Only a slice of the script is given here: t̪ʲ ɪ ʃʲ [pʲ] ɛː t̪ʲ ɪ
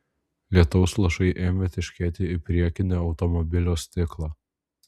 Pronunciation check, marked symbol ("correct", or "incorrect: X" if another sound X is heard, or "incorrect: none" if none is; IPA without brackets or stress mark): incorrect: kʲ